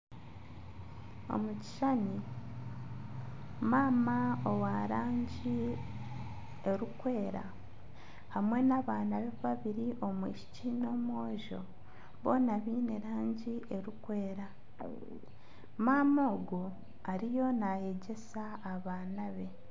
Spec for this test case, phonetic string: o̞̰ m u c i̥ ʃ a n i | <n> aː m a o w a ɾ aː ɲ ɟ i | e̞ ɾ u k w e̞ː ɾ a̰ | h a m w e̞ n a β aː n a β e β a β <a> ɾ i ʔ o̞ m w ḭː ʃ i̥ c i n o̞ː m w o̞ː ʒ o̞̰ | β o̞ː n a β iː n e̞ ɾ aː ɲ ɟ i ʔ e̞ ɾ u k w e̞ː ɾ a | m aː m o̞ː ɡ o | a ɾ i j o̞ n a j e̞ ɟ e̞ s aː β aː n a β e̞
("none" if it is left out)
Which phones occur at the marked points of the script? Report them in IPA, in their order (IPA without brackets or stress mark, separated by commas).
m, i